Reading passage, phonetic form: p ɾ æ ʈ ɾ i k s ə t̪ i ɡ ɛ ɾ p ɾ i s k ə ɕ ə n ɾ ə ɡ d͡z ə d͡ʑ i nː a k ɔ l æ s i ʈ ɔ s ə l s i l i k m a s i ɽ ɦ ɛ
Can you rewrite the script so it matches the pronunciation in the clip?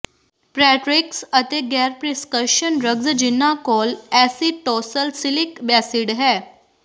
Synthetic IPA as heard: p ɾ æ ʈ ɾ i k s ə t̪ e ɡ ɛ ɾ p ɾ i s k ə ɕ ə n ɾ ə ɡ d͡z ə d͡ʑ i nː a k ɔ l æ s i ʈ ɔ s ə l s i l i k b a s i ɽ ɦ ɛ